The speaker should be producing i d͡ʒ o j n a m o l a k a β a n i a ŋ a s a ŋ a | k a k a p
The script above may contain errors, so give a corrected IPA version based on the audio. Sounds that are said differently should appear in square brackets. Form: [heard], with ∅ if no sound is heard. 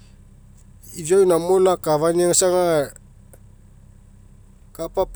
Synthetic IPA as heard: i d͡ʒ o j n a m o l a k a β a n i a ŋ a s a ŋ a | k a [p] a p